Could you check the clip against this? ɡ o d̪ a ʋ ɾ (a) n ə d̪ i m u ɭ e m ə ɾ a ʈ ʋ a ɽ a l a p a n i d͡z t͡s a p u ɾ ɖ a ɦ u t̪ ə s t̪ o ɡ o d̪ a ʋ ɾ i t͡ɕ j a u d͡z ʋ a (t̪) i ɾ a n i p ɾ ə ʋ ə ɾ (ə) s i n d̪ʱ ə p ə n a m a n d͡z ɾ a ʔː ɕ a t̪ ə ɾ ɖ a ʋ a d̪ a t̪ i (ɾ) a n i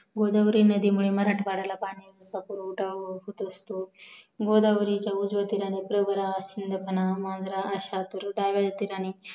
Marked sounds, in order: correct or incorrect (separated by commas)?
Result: incorrect, correct, incorrect, correct